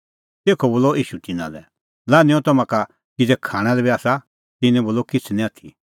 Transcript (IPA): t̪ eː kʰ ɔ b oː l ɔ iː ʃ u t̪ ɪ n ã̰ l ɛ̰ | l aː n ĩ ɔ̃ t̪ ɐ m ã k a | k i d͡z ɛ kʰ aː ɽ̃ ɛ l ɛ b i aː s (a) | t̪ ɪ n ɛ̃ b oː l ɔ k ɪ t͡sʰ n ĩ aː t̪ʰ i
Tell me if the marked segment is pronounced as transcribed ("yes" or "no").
yes